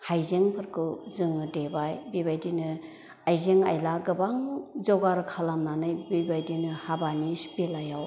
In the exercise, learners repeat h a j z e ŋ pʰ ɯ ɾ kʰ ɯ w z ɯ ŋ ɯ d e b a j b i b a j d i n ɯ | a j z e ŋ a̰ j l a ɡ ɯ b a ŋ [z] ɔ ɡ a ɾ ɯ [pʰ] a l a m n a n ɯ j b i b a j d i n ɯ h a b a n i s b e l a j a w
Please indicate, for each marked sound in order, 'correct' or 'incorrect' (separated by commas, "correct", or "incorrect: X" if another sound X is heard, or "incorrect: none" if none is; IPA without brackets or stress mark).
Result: correct, incorrect: kʰ